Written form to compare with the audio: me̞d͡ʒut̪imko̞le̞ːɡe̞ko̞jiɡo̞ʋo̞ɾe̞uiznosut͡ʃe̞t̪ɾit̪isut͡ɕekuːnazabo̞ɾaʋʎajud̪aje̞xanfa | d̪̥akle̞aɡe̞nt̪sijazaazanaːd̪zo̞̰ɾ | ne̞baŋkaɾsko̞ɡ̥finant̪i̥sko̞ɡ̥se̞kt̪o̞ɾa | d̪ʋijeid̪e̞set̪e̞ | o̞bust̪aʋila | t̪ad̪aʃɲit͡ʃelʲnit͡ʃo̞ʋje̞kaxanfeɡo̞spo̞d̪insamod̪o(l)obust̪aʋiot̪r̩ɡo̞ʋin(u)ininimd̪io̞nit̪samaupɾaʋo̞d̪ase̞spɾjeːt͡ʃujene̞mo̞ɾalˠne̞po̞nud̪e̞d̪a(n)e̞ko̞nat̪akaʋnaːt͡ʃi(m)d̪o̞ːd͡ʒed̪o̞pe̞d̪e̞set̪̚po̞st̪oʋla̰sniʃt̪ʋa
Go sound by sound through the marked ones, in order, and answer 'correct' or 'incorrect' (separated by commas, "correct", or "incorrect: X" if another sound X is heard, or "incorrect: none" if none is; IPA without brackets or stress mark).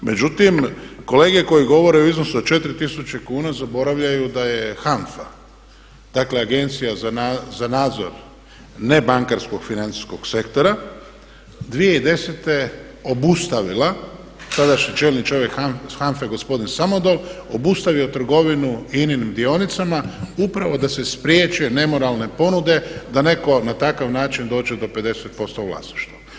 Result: correct, correct, correct, incorrect: n